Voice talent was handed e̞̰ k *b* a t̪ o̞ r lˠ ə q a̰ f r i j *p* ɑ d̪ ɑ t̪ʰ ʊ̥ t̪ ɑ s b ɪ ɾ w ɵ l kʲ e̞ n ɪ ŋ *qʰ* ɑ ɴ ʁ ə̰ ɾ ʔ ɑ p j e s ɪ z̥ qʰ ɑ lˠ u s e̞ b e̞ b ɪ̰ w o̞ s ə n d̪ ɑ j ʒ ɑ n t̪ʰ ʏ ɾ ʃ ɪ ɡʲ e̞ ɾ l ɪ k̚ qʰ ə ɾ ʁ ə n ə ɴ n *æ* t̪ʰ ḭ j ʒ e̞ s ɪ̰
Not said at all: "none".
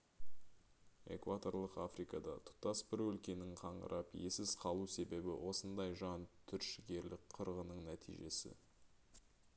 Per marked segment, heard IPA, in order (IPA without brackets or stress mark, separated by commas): v, k, qʰ, æ